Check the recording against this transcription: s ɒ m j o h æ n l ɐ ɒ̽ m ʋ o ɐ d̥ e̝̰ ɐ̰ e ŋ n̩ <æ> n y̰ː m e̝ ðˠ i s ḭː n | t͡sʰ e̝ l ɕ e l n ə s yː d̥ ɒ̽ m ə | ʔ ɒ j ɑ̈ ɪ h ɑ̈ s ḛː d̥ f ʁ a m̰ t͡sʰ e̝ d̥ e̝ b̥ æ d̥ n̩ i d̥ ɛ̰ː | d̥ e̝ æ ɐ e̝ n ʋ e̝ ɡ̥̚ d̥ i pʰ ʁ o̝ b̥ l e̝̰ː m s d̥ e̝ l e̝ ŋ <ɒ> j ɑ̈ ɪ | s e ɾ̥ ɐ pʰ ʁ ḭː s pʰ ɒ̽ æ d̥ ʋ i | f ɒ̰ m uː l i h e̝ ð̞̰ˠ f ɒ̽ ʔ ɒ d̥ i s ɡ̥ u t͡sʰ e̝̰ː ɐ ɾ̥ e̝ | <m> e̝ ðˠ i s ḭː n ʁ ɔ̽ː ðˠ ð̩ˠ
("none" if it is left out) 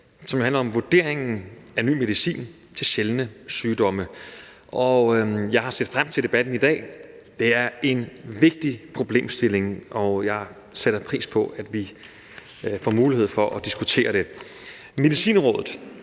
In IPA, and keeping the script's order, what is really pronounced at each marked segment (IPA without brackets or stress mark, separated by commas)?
æ, ɒ, m